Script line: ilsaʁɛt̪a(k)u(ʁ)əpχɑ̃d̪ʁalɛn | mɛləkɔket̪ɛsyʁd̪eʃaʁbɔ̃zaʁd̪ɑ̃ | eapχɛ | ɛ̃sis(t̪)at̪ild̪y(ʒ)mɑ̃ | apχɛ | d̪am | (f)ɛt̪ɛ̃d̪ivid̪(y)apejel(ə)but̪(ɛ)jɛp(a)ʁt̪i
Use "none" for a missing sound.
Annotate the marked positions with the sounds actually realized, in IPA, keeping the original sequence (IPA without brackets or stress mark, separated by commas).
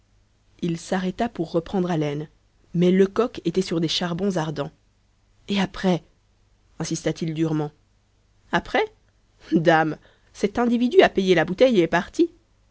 p, ʁː, t̪, ʁ, s, y, a, ɛ, a